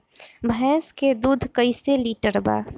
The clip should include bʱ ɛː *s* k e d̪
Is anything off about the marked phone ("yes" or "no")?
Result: no